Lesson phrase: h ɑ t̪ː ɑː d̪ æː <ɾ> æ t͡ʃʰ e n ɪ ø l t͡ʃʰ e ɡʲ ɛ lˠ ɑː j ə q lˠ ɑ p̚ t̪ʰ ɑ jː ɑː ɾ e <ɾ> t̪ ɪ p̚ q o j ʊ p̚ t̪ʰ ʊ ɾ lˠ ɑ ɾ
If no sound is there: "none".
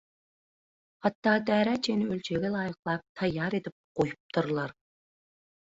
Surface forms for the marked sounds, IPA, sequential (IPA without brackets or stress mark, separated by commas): ɾ, none